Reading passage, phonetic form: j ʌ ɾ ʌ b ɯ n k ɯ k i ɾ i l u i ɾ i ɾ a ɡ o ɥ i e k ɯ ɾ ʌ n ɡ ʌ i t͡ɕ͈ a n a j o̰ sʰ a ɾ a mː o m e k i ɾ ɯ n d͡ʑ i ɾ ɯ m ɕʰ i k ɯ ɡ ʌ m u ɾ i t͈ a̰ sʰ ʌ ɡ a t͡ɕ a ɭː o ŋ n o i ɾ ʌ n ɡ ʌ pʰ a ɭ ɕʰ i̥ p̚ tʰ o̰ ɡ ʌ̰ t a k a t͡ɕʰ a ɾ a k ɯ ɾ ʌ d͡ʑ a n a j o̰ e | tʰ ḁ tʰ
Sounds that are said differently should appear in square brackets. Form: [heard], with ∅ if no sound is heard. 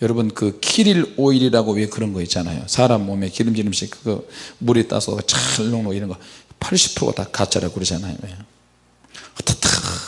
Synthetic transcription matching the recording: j ʌ ɾ ʌ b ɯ n k ɯ [kʰ] i ɾ i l [o] i ɾ i ɾ a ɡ o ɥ i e k ɯ ɾ ʌ n ɡ ʌ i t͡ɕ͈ a n a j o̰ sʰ a ɾ a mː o m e k i ɾ ɯ [m] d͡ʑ i ɾ ɯ m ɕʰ i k ɯ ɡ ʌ m u ɾ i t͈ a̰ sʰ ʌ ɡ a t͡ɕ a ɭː o ŋ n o i ɾ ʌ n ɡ ʌ pʰ a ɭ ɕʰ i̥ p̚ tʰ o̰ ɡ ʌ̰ t a k a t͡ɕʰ a ɾ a k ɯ ɾ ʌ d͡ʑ a n a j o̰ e | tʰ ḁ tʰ